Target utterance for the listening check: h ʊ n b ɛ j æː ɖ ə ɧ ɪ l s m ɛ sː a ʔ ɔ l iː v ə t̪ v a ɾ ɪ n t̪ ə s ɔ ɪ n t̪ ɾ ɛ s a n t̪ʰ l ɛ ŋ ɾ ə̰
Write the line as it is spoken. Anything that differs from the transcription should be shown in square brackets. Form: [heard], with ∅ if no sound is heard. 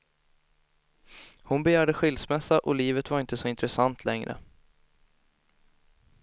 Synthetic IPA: h ʊ n b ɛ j æː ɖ ə ɧ ɪ l s m ɛ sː a ʔ ɔ l iː v ə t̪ v a ɾ ɪ n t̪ ə s ɔ ɪ n t̪ ɾ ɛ s a n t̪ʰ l ɛ ŋ ɾ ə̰